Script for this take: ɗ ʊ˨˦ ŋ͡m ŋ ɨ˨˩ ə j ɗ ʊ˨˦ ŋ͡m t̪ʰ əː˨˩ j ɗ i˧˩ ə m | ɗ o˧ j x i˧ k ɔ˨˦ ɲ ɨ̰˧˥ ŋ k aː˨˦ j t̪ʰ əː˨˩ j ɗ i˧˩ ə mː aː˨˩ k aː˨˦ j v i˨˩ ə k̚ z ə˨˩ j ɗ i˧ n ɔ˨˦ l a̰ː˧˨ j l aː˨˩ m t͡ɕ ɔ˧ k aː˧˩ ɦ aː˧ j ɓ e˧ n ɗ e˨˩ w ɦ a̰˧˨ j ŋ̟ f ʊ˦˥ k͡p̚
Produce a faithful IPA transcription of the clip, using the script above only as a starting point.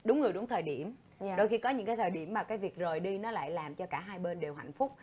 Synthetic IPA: ɗ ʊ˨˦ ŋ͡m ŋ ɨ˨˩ ə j ɗ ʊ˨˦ ŋ͡m t̪ʰ əː˨˩ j ɗ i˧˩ ə m | ɗ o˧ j x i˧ k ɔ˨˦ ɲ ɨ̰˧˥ ŋ k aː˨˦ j t̪ʰ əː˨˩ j ɗ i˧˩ ə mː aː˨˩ k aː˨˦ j v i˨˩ ə k̚ z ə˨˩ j ɗ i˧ n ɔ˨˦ l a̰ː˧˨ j l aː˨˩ m t͡ɕ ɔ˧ k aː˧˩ ɦ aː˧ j ɓ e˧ n ɗ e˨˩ w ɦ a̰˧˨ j ŋ̟ f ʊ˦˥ k͡p̚